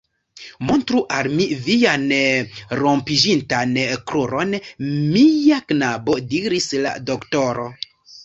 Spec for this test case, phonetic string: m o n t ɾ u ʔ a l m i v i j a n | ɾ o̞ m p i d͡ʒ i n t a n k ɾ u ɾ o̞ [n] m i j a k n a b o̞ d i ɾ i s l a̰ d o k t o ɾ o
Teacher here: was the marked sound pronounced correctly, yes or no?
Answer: yes